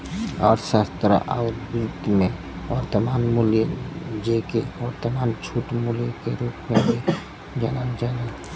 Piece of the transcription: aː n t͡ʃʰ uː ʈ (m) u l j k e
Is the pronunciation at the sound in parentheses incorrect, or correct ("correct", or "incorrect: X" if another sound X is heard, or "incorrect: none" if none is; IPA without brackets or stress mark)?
correct